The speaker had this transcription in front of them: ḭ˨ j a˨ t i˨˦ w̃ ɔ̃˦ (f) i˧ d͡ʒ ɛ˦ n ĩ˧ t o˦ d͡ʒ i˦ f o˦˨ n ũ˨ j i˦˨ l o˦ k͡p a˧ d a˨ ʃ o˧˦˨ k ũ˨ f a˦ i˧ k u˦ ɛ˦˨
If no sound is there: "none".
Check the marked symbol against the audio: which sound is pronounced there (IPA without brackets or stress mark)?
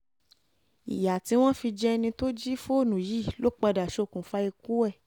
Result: f